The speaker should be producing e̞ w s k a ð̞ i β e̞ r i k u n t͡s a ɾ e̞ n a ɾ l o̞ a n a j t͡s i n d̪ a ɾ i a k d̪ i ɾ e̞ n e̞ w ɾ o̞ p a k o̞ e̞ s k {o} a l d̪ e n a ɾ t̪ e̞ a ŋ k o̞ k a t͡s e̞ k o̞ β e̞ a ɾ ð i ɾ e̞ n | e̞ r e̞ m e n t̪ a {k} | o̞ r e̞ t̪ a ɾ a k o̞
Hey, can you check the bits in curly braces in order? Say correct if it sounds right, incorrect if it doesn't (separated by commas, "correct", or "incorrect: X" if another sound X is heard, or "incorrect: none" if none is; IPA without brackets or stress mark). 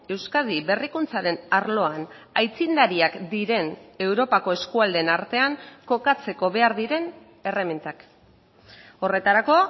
incorrect: u, correct